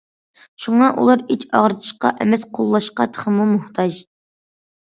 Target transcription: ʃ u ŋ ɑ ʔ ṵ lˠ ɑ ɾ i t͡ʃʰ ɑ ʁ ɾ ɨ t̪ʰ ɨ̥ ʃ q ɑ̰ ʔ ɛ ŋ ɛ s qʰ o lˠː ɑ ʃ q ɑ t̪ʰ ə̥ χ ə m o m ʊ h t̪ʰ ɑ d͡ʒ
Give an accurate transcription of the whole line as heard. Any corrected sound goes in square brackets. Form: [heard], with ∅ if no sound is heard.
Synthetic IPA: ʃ u ŋ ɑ ʔ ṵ lˠ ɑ ɾ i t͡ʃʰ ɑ ʁ ɾ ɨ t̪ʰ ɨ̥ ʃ q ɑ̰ ʔ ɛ [m] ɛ s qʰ o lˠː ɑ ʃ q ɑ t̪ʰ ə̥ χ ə m [u] m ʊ h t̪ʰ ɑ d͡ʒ